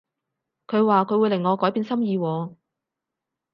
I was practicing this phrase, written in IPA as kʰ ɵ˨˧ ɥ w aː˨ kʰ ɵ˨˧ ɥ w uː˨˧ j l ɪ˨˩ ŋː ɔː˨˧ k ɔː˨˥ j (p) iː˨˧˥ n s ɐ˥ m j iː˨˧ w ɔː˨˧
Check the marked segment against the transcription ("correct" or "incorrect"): correct